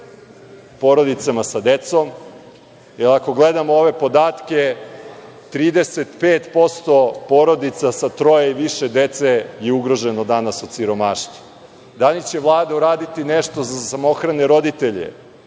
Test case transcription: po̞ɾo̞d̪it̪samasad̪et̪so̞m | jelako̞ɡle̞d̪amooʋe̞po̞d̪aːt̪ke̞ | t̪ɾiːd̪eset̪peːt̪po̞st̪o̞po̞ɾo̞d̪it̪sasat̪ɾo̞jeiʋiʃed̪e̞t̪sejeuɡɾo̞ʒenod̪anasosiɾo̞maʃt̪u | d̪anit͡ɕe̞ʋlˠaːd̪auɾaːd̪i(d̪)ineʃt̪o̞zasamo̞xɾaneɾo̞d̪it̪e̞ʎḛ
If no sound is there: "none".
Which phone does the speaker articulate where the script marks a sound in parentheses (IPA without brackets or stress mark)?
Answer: t̪